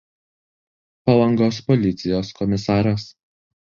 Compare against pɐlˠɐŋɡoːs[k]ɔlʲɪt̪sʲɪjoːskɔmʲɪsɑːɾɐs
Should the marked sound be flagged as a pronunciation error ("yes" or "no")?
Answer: yes